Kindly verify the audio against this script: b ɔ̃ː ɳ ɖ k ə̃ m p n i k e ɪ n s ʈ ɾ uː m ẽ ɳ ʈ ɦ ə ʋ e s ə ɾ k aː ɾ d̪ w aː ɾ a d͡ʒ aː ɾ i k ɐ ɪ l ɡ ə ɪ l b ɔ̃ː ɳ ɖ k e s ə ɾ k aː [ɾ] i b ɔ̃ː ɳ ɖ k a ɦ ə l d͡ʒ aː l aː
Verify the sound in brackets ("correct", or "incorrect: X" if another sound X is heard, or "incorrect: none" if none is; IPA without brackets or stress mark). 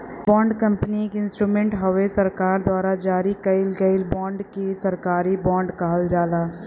correct